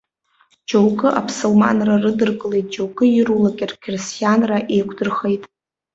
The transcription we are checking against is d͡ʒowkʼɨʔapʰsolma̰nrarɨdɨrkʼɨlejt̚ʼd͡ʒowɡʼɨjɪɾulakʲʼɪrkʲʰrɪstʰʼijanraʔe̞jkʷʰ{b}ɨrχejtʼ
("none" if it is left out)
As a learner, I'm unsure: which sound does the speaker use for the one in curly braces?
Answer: d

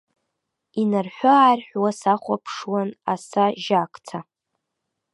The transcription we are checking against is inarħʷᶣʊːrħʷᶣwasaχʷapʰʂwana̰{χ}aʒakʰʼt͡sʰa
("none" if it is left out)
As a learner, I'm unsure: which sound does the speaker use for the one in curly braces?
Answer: s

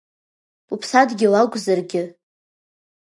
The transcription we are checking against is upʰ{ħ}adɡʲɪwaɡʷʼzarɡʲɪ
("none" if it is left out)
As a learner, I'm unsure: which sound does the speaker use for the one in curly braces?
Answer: s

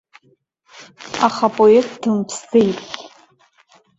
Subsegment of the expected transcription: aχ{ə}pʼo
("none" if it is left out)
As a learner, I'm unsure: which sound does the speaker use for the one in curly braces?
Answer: a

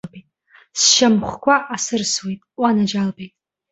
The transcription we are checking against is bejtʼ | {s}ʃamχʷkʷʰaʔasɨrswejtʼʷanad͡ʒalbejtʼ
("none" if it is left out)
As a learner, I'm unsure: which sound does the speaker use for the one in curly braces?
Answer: s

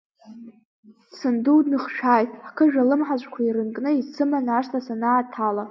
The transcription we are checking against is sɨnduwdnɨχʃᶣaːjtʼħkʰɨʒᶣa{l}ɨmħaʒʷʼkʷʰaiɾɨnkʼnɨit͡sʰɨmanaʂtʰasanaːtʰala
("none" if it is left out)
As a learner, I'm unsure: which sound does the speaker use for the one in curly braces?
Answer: l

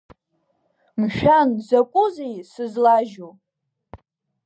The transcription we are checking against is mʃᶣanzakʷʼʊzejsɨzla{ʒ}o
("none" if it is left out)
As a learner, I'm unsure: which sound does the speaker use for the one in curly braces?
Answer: ʒ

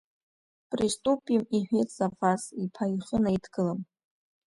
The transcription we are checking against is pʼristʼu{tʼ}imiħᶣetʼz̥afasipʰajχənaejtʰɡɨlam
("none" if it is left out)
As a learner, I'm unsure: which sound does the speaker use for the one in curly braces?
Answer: pʼ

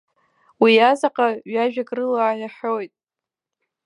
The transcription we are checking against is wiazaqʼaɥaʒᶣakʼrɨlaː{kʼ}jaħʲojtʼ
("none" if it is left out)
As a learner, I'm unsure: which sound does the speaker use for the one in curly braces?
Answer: none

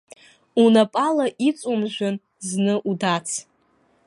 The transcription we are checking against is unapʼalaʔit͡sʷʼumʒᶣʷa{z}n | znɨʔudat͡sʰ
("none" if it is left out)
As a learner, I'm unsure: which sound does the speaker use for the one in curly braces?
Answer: none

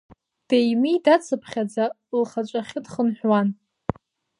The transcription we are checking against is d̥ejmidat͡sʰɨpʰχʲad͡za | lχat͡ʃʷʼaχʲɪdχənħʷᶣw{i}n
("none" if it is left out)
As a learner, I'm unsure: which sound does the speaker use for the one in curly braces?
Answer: a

